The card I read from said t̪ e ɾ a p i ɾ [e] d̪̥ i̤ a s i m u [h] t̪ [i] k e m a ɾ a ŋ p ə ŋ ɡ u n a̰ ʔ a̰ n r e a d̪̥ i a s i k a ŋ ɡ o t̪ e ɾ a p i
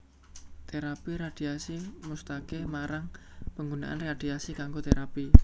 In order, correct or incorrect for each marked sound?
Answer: incorrect: a, incorrect: s, incorrect: a

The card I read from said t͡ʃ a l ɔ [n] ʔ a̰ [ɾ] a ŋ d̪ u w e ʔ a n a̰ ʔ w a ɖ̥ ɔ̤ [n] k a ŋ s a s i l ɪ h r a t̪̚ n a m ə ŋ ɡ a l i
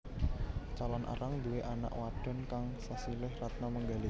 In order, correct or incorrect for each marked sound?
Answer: correct, correct, correct

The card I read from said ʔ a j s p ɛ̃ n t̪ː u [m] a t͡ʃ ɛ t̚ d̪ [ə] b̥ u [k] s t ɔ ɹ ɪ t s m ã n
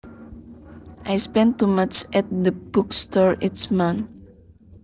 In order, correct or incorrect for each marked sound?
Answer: correct, correct, correct

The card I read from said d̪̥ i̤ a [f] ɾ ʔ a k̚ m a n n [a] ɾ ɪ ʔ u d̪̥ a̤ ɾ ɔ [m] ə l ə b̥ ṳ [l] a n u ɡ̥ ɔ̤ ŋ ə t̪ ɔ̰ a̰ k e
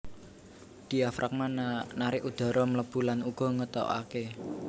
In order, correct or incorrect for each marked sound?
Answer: correct, correct, correct, correct

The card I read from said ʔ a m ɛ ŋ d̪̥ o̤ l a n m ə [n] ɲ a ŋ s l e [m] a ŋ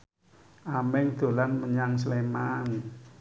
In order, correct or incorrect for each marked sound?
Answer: incorrect: none, correct

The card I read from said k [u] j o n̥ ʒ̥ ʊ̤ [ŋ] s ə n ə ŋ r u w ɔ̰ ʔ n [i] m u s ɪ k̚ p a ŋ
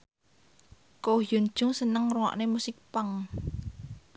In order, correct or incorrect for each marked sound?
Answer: incorrect: o, correct, incorrect: e

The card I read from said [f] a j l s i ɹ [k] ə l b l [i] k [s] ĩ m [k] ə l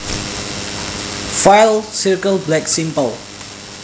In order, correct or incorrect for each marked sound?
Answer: correct, correct, incorrect: ɛ, correct, incorrect: p

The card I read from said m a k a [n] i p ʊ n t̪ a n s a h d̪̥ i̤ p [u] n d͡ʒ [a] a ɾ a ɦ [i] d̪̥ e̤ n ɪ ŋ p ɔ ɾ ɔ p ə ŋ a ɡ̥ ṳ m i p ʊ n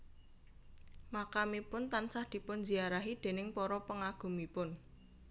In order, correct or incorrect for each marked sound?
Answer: incorrect: m, incorrect: ʊ, incorrect: i, correct

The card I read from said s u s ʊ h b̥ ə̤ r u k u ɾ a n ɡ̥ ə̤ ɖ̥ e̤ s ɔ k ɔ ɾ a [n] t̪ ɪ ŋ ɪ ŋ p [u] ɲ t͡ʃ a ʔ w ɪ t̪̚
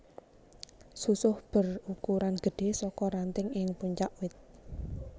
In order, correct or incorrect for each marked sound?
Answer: correct, correct

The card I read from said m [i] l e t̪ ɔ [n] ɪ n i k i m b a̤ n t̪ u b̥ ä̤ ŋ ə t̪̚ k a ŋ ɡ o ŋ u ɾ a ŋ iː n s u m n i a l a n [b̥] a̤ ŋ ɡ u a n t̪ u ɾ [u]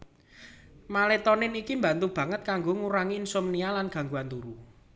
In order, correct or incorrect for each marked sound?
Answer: incorrect: a, correct, incorrect: ɡ̥, correct

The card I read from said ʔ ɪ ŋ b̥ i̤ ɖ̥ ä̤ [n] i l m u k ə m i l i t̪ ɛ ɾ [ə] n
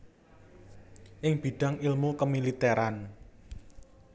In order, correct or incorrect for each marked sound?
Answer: incorrect: ŋ, incorrect: a

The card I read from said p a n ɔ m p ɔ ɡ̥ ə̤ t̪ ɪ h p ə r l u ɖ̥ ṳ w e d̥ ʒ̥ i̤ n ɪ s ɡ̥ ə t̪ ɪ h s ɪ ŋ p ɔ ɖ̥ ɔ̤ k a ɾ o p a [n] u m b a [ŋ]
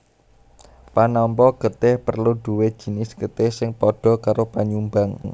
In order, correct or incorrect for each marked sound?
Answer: incorrect: ɲ, correct

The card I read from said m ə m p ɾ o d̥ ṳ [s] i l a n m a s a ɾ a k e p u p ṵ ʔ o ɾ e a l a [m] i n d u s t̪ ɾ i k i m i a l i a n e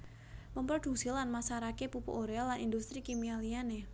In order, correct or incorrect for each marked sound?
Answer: correct, incorrect: n

